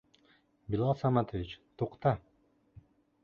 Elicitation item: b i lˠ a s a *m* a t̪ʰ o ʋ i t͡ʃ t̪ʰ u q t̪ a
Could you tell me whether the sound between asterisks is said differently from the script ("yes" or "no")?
no